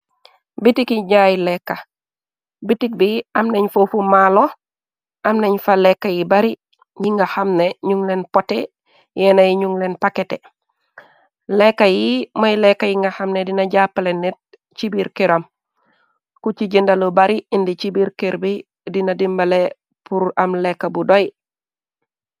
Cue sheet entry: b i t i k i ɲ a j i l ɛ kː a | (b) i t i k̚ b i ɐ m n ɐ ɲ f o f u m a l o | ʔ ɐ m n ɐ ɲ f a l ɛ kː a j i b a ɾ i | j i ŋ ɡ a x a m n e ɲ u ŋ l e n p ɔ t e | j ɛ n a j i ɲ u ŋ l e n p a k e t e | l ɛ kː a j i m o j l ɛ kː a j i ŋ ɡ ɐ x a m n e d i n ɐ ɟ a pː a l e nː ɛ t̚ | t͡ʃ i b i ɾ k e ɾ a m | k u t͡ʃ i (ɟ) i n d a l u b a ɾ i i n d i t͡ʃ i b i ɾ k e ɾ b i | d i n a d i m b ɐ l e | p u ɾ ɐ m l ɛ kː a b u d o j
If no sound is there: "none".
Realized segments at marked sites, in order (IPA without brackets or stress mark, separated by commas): b, ɟ